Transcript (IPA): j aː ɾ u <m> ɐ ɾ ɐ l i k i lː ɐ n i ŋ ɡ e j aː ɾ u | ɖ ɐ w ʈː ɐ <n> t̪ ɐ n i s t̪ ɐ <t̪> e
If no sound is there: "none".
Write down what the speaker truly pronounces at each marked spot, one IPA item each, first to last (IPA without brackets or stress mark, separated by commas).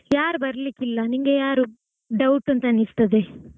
b, n, d̪